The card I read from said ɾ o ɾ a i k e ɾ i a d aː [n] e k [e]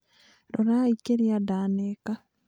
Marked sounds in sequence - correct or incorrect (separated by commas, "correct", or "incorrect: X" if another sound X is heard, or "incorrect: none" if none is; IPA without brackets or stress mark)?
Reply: correct, incorrect: a